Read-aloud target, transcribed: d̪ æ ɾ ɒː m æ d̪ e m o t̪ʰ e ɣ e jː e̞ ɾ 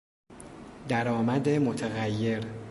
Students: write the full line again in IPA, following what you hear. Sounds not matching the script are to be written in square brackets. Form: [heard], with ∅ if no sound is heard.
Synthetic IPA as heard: d̪ æ ɾ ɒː m æ d̪ e m o t̪ʰ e ɣ [æ] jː e̞ ɾ